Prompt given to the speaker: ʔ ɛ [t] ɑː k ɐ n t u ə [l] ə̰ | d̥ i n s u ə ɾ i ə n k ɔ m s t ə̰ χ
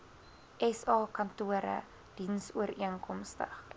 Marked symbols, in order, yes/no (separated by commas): no, no